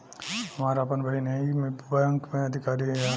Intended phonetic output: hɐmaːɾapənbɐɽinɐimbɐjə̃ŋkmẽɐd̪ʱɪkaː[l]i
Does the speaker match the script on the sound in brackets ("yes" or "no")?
no